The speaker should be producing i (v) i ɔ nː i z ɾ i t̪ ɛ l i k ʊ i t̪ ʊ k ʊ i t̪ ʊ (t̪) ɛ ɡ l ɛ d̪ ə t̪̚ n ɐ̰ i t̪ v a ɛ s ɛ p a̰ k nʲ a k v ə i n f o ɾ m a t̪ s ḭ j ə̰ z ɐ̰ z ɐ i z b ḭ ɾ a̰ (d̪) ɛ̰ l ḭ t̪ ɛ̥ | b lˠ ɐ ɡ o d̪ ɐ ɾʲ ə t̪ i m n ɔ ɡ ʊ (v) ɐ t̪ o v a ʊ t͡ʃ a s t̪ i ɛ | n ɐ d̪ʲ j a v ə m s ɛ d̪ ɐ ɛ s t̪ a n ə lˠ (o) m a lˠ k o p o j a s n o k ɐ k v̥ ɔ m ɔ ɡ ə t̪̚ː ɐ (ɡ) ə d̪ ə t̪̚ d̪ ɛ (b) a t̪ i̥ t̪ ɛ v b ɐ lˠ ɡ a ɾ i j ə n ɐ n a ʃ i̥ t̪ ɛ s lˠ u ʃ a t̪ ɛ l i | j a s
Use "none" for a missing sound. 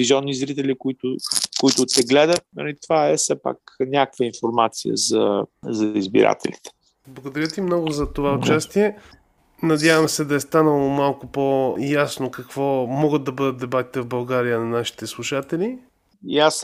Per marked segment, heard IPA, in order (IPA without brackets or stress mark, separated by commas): z, t̪, t̪, z, o, b, b